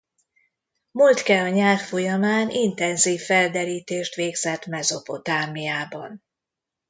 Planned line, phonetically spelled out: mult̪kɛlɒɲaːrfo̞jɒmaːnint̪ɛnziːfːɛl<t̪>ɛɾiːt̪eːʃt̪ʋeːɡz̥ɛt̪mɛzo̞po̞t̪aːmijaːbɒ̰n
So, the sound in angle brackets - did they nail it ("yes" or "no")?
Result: no